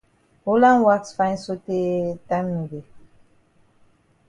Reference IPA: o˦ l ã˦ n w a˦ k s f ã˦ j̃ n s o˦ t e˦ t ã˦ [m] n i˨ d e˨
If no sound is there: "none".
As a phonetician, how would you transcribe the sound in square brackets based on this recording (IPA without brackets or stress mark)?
m